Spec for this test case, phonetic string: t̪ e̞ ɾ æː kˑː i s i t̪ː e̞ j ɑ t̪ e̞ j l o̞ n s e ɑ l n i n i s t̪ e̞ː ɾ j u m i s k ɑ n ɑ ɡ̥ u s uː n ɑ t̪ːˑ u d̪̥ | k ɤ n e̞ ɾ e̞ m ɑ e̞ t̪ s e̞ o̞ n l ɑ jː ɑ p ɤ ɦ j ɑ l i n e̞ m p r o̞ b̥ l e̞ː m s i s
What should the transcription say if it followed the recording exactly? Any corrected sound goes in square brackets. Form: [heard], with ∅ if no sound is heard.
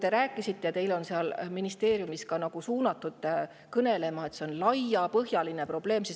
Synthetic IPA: t̪ e̞ ɾ æː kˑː i s i t̪ː e̞ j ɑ t̪ e̞ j l o̞ n s e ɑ l [m] i n i s t̪ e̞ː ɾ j u m i s k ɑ n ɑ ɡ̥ u s uː n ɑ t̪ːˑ u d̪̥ | k ɤ n e̞ [l] e̞ m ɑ e̞ t̪ s e̞ o̞ n l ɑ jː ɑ p ɤ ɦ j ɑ l i n e̞ [∅] p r o̞ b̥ l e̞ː m s i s